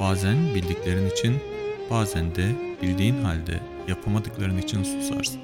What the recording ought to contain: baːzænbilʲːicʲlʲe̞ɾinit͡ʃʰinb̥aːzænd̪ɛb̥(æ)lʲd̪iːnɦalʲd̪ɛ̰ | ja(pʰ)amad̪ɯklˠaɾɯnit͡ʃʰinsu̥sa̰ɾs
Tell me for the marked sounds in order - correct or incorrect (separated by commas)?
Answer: incorrect, correct